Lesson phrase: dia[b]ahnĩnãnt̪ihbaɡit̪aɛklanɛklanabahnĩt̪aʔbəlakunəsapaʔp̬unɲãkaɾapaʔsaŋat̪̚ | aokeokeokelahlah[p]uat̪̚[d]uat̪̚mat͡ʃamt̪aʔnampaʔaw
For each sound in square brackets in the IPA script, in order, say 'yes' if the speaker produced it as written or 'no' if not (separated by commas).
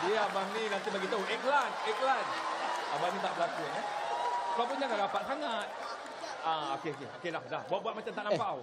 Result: yes, no, no